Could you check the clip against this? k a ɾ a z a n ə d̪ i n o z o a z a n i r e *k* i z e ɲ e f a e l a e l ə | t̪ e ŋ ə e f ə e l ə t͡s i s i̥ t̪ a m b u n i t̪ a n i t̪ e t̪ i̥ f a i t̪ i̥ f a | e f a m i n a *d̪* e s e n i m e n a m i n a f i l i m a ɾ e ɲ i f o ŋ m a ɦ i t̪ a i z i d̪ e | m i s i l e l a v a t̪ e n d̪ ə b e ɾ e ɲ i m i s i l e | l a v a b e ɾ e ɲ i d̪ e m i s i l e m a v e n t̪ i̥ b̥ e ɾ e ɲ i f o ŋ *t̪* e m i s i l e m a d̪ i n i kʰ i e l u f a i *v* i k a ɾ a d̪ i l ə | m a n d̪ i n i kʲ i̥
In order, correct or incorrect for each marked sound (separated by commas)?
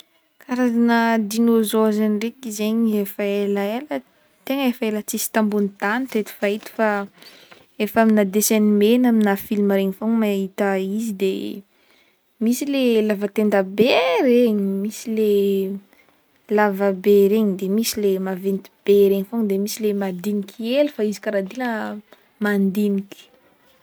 correct, correct, incorrect, incorrect